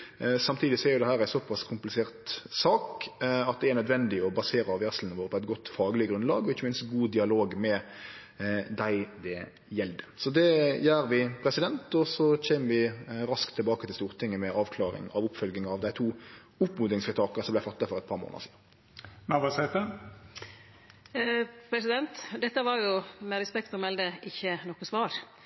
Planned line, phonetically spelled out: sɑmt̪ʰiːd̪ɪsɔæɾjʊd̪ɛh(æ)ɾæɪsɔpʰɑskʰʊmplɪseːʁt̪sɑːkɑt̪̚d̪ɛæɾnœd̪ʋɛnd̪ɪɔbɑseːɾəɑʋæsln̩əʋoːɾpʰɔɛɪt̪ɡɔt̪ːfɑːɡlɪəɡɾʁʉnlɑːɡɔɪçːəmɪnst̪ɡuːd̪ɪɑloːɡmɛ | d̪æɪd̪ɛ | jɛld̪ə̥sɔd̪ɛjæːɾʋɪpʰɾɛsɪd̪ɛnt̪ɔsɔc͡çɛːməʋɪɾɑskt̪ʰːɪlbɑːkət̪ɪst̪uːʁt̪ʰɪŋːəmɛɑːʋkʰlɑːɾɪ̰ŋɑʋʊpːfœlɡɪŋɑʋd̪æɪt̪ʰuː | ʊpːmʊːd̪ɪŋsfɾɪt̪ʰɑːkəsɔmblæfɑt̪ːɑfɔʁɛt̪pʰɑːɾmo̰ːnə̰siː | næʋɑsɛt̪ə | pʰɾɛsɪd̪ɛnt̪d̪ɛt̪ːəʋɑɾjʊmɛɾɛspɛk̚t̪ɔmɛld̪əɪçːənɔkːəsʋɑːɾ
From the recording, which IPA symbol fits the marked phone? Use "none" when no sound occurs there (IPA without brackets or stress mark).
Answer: æː